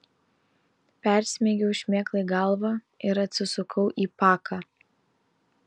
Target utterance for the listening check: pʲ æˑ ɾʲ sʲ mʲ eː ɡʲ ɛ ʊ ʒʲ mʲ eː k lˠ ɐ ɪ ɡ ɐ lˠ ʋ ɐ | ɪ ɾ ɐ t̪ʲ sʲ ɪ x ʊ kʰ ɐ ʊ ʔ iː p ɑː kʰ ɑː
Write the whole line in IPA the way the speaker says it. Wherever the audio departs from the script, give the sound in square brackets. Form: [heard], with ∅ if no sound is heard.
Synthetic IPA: pʲ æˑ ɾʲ sʲ mʲ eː ɡʲ ɛ ʊ [ʃʲ] mʲ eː k lˠ ɐ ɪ ɡ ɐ lˠ ʋ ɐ | ɪ ɾ ɐ t̪ʲ sʲ ɪ [s] ʊ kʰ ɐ ʊ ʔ iː p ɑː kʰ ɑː

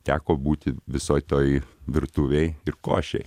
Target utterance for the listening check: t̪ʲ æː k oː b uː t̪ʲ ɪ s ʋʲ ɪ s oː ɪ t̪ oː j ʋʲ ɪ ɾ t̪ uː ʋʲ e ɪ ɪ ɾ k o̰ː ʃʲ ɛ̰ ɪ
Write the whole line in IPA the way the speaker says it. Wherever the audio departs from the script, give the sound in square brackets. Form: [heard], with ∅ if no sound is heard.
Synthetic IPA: t̪ʲ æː k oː b uː t̪ʲ ɪ [∅] ʋʲ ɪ s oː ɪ t̪ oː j ʋʲ ɪ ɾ t̪ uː ʋʲ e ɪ ɪ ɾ k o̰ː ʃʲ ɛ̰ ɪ

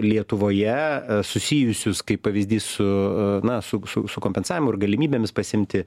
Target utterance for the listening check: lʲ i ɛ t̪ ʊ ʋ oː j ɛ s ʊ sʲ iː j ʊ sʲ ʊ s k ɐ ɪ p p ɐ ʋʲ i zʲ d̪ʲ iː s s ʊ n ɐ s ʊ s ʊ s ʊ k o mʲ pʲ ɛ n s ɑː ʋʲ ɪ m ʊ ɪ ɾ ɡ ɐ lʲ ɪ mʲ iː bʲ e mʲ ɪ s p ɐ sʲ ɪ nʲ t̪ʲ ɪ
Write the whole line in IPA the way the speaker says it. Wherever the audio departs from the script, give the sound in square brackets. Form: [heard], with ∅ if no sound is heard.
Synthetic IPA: lʲ i ɛ t̪ ʊ ʋ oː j ɛ s ʊ sʲ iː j ʊ sʲ ʊ s k ɐ ɪ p p ɐ ʋʲ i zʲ d̪ʲ iː s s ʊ n ɐ s ʊ s ʊ s ʊ k o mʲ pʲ ɛ n s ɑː ʋʲ ɪ m ʊ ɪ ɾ ɡ ɐ lʲ ɪ mʲ iː bʲ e mʲ ɪ s p ɐ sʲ ɪ [mʲ] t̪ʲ ɪ

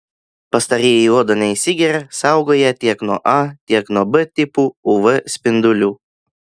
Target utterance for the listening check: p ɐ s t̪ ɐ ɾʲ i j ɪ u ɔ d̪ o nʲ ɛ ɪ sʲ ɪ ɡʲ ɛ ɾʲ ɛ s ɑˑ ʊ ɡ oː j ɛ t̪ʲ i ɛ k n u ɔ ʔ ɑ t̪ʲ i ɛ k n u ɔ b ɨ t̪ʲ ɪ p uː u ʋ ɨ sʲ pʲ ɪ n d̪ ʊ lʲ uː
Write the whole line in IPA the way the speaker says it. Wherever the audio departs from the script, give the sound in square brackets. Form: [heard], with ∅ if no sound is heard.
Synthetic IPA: p ɐ s t̪ ɐ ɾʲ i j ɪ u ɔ d̪ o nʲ ɛ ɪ sʲ ɪ ɡʲ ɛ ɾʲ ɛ s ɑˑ ʊ ɡ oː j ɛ t̪ʲ i ɛ k n u ɔ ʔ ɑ t̪ʲ i ɛ k n u ɔ b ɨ t̪ʲ ɪ p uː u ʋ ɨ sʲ pʲ ɪ n d̪ ʊ lʲ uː

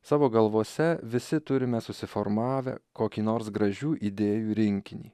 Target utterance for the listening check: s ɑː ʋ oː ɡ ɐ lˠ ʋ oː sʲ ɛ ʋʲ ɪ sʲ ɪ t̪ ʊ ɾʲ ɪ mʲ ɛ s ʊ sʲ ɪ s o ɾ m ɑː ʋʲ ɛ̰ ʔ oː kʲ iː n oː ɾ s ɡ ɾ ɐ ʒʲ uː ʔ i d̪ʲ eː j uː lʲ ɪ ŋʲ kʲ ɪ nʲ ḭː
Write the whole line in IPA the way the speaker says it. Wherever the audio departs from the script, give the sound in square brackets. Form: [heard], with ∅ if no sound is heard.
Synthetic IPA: s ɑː ʋ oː ɡ ɐ lˠ ʋ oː sʲ ɛ ʋʲ ɪ sʲ ɪ t̪ ʊ ɾʲ ɪ mʲ ɛ s ʊ sʲ ɪ [f] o ɾ m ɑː ʋʲ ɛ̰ [k] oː kʲ iː n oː ɾ s ɡ ɾ ɐ ʒʲ uː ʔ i d̪ʲ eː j uː [ɾʲ] ɪ ŋʲ kʲ ɪ nʲ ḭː

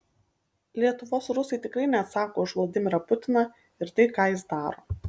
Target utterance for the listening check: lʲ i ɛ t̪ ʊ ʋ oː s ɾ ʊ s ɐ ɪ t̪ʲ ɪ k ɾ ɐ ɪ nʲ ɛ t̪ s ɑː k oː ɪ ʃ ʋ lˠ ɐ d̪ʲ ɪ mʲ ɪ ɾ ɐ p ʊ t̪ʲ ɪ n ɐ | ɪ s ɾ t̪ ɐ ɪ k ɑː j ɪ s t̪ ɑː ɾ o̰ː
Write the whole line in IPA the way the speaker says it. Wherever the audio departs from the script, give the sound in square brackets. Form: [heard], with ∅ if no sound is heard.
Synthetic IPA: lʲ i ɛ t̪ ʊ ʋ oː s ɾ ʊ s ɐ ɪ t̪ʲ ɪ k ɾ ɐ ɪ nʲ ɛ t̪ s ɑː k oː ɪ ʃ ʋ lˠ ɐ d̪ʲ ɪ mʲ ɪ ɾ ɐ p ʊ t̪ʲ ɪ n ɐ | ɪ [∅] ɾ t̪ ɐ ɪ k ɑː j ɪ s [d̪] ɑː ɾ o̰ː

